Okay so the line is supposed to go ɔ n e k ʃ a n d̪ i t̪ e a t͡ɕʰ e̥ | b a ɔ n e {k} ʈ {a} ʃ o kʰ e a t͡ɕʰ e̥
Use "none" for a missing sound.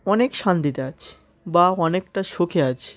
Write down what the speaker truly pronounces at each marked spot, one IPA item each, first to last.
k, a

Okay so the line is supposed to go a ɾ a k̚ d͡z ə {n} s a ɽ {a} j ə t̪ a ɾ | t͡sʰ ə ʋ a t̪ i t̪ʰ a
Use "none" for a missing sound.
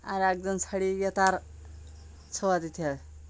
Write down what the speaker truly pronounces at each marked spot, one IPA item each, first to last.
n, i

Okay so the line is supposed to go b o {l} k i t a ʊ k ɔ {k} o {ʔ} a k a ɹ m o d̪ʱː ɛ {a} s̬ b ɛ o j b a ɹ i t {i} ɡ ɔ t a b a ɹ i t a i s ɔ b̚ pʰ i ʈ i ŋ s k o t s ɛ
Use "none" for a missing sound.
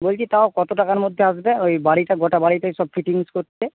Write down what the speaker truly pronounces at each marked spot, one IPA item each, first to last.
l, t, t, a, a

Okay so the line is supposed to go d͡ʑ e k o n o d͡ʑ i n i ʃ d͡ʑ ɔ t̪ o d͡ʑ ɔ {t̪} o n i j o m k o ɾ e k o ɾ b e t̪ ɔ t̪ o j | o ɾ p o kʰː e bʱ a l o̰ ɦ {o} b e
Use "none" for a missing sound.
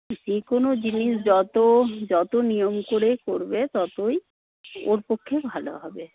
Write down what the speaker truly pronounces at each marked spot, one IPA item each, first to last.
t̪, ɔ

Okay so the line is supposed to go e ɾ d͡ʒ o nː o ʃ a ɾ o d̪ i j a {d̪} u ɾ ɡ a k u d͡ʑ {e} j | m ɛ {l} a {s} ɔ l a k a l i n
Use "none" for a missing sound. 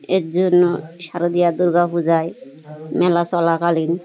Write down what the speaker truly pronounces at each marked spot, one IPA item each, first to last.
d̪, a, l, s

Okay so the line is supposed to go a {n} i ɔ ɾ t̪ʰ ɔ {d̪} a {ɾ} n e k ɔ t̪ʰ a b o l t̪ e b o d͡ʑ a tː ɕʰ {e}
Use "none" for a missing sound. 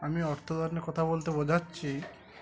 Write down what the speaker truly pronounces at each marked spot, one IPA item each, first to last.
m, d̪, ɾ, i

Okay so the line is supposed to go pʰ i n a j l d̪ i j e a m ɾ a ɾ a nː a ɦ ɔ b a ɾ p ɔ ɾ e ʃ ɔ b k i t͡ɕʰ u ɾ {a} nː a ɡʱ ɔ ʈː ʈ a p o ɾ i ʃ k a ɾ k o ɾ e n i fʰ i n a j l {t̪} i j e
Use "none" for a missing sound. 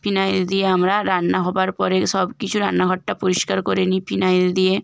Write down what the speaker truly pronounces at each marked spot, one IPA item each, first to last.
a, d̪

